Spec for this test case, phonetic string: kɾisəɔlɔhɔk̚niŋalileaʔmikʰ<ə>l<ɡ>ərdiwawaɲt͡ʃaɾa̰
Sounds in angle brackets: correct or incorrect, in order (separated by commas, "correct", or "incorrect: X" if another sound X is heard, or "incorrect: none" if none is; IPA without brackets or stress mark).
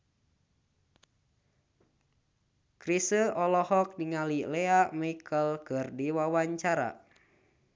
correct, incorrect: k